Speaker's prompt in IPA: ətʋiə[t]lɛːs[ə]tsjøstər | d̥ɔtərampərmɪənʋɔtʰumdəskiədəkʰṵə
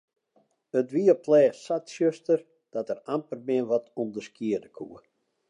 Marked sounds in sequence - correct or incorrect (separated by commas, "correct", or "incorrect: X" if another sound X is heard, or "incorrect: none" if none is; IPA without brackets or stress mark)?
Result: incorrect: p, incorrect: a